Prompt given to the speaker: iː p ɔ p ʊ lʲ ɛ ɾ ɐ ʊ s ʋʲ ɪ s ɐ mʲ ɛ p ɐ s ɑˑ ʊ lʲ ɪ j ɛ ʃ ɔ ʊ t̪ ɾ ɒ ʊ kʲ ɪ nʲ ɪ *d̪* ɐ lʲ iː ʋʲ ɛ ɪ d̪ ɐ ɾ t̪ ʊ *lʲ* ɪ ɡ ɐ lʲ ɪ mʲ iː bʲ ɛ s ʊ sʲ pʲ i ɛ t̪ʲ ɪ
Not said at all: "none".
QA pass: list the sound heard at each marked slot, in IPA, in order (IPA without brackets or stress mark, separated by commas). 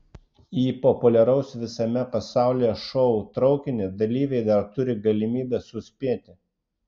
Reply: d̪, ɾʲ